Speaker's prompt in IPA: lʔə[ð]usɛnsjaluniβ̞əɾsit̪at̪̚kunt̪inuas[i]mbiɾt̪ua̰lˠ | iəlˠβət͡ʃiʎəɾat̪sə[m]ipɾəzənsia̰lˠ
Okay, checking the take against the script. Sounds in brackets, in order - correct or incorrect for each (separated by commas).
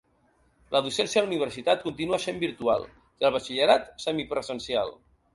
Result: correct, incorrect, correct